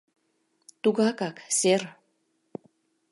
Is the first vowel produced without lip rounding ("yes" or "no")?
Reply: no